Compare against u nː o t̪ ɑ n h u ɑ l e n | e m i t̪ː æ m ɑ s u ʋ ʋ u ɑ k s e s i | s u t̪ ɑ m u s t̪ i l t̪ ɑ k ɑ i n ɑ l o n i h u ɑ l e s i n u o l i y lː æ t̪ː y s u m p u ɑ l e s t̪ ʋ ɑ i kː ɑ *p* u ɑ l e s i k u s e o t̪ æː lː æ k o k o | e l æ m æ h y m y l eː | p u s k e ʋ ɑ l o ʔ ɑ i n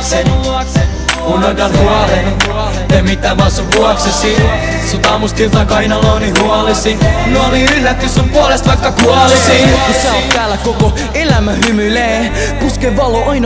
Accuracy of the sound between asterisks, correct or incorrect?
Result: incorrect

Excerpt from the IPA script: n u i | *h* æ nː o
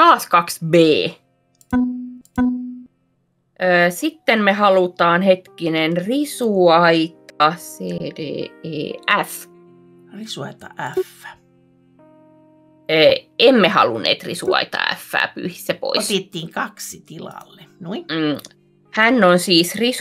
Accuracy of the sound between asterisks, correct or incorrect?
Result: correct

